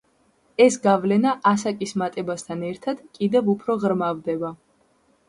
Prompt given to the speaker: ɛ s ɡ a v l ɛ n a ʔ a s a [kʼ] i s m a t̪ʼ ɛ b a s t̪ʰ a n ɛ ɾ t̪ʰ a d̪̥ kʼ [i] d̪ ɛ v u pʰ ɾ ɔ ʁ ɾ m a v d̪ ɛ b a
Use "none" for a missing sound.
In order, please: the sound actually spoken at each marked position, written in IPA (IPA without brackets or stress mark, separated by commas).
kʼ, i